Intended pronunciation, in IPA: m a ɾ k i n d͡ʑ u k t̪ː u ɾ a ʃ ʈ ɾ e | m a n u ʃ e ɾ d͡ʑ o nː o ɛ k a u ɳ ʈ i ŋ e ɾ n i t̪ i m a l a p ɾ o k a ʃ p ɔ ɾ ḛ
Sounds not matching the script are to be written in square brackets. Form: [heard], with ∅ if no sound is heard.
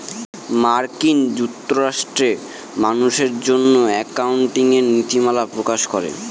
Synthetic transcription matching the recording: m a ɾ k i n d͡ʑ u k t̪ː [o] ɾ a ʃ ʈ ɾ e | m a n u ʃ e ɾ d͡ʑ o nː o ɛ k a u ɳ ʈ i ŋ e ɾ n i t̪ i m a l a p ɾ o k a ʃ [k] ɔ ɾ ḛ